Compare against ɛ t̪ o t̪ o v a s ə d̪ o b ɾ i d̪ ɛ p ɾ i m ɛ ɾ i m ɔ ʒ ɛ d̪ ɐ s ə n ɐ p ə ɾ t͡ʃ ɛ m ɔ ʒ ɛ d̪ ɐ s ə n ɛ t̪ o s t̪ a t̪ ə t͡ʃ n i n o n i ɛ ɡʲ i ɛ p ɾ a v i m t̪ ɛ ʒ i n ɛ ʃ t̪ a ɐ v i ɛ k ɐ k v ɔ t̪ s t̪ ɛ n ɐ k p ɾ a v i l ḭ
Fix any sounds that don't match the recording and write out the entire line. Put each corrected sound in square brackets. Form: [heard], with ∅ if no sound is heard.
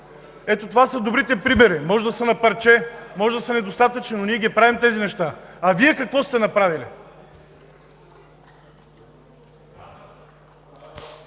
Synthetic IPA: ɛ t̪ o t̪ o v a s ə d̪ o b ɾ i [t̪] ɛ p ɾ i m ɛ ɾ i m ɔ ʒ ɛ d̪ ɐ s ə n ɐ p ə ɾ t͡ʃ ɛ m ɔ ʒ ɛ d̪ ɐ s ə n ɛ [d̪] o s t̪ a t̪ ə t͡ʃ n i n o n i ɛ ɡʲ i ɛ p ɾ a v i m t̪ ɛ [z] i n ɛ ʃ t̪ a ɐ v i ɛ k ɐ k v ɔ [∅] s t̪ ɛ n ɐ [∅] p ɾ a v i l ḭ